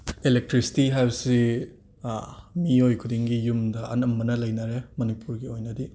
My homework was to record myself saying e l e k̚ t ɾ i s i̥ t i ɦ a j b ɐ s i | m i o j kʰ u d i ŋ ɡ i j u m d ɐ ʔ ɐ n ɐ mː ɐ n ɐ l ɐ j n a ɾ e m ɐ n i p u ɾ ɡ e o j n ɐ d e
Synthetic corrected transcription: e l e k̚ t ɾ i s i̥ t i ɦ a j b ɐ s i | m i o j kʰ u d i ŋ ɡ i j u m d ɐ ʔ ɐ n ɐ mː ɐ n ɐ l ɐ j n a ɾ e m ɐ n i p u ɾ ɡ i o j n ɐ d i